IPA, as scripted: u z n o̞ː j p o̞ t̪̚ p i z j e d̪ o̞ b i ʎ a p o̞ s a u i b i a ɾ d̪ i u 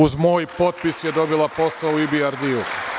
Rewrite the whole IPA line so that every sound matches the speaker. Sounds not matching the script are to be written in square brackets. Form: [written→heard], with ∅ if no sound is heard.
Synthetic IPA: u z [n→m] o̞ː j p o̞ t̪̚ p i [z→s] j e d̪ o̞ b i [ʎ→l] a p o̞ s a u i b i a ɾ d̪ i u